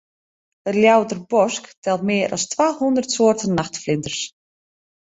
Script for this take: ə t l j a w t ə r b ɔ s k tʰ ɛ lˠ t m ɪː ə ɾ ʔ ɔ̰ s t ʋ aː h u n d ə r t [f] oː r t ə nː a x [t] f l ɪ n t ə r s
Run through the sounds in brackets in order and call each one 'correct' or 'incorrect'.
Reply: incorrect: s, correct

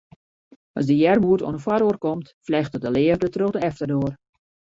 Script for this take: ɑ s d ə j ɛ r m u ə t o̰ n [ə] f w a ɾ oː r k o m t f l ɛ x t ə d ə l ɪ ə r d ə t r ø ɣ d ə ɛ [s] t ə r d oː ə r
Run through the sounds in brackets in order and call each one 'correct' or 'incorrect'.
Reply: correct, incorrect: f

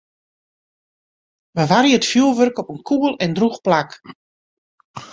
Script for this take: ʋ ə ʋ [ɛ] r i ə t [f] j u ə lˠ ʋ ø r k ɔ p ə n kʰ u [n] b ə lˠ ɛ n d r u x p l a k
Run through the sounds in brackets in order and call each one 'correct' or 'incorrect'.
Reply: incorrect: a, correct, incorrect: none

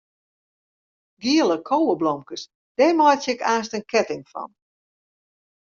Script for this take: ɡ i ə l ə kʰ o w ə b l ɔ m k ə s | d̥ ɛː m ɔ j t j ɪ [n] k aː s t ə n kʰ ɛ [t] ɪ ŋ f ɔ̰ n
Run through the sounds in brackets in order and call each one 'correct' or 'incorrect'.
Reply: incorrect: none, correct

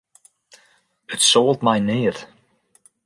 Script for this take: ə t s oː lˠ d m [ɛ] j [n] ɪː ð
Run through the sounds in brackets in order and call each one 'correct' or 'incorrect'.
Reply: incorrect: a, correct

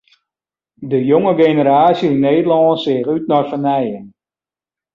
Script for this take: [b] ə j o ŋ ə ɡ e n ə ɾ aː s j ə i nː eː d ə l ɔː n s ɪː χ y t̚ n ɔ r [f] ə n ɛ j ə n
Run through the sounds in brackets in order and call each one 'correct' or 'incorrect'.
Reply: incorrect: d, correct

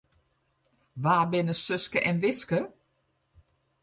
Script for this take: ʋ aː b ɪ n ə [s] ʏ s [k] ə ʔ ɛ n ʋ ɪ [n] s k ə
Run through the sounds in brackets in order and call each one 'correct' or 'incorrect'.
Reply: correct, correct, incorrect: none

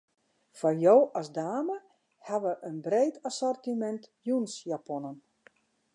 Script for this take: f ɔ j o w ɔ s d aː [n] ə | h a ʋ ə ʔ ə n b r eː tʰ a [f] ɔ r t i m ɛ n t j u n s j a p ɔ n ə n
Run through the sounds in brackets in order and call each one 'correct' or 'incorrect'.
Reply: incorrect: m, incorrect: s

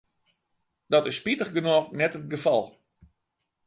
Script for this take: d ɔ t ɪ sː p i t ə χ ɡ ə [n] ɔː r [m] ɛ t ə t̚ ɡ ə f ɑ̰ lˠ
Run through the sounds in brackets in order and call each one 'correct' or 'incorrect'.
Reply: correct, incorrect: n

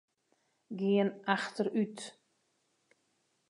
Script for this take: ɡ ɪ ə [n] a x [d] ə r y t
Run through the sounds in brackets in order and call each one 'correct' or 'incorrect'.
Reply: correct, incorrect: t

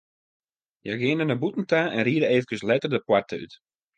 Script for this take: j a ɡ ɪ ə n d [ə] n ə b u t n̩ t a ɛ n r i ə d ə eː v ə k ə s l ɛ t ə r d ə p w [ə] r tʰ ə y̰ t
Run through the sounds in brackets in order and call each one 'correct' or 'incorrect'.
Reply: correct, incorrect: a

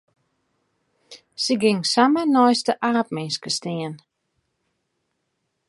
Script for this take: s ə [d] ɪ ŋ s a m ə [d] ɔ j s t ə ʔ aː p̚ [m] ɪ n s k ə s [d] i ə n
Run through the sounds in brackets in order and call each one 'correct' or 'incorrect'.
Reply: incorrect: ɡ, incorrect: n, correct, incorrect: t

